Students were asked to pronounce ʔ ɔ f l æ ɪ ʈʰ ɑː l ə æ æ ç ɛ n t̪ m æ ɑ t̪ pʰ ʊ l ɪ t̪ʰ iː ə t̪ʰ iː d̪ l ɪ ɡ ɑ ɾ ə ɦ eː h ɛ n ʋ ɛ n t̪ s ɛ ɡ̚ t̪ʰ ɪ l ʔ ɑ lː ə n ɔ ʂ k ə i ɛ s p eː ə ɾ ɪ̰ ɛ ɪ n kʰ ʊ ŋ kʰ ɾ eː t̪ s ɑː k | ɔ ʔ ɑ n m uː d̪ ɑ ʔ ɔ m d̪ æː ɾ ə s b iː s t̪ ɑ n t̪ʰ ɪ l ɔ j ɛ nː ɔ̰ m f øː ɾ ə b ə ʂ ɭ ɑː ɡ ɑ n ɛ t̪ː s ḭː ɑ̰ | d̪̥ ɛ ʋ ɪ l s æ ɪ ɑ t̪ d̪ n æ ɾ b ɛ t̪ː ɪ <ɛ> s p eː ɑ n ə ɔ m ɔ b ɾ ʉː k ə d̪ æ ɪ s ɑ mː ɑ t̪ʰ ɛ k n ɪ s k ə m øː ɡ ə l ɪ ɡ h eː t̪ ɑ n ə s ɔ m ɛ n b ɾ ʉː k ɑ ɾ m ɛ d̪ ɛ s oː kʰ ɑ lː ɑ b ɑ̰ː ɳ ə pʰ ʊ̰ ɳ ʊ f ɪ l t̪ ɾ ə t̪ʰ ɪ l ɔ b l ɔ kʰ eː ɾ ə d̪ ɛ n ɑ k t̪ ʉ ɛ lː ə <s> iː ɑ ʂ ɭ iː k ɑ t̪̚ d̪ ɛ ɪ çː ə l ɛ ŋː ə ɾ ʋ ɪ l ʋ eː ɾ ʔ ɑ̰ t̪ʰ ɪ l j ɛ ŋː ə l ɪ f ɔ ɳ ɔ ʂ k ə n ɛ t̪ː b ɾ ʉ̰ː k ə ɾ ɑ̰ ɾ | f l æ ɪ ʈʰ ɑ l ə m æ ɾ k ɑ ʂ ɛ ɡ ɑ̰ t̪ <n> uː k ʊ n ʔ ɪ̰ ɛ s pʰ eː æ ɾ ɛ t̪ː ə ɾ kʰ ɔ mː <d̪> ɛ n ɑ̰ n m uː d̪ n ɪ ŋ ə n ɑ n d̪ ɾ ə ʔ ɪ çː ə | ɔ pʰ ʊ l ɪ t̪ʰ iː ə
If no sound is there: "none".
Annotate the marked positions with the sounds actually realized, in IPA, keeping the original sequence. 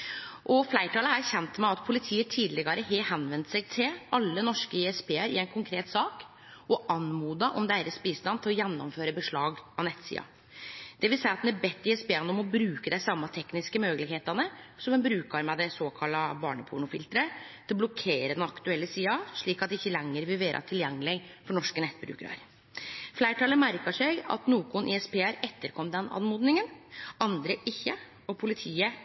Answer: ɛ, s, n, d̪

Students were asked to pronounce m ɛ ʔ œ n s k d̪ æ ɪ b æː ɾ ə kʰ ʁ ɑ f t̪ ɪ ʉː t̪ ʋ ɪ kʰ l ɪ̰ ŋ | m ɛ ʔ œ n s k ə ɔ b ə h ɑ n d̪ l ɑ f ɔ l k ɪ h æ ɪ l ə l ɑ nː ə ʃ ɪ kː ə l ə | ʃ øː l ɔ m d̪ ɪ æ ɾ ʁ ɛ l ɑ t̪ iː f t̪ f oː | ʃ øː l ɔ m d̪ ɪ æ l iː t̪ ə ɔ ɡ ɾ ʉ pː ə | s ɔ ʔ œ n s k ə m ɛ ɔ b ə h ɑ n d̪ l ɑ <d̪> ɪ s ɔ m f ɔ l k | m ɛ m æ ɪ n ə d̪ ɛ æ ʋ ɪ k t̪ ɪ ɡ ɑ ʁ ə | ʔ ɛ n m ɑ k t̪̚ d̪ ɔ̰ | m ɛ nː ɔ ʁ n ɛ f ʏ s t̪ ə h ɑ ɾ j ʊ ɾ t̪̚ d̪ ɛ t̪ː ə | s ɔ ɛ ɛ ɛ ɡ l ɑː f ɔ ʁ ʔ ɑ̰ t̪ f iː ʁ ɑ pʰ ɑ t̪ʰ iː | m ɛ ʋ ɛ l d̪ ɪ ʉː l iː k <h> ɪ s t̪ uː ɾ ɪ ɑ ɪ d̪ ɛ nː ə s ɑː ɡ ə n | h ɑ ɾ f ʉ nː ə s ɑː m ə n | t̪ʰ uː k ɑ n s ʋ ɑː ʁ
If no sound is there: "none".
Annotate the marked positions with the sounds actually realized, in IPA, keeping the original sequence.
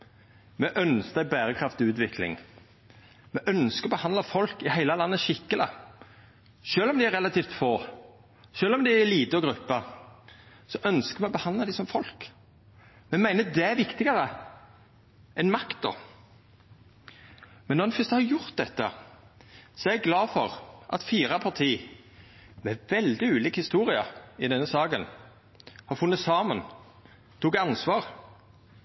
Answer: d̪, h

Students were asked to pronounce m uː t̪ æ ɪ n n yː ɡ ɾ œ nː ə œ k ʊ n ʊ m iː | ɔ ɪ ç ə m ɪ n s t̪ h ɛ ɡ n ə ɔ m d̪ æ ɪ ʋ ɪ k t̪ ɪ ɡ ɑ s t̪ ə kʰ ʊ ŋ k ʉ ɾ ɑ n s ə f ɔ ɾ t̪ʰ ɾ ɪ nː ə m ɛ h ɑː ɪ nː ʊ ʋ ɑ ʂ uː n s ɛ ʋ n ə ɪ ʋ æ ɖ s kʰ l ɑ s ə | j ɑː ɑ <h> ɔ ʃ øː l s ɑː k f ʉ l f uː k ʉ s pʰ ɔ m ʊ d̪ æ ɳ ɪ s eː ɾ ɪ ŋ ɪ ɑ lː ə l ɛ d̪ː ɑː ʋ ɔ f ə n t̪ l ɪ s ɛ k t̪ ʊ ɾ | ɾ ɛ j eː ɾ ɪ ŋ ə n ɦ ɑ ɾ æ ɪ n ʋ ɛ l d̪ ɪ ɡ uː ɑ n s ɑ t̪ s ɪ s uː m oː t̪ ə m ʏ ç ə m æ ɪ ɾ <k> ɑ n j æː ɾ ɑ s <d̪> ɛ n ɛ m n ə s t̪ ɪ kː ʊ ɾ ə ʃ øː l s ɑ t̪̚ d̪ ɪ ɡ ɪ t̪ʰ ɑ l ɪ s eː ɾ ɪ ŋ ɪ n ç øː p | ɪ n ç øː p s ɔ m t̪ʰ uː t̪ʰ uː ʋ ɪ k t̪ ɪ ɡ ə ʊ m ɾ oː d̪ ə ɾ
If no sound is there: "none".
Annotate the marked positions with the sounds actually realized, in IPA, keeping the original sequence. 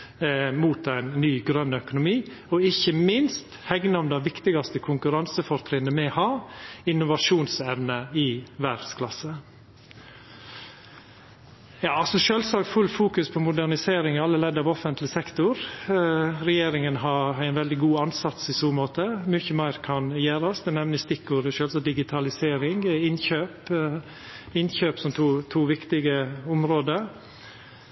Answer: s, kʰ, d̪

